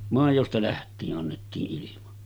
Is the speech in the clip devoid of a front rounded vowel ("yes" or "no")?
yes